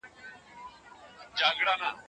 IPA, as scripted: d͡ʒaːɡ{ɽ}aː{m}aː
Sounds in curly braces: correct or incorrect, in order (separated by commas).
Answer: correct, incorrect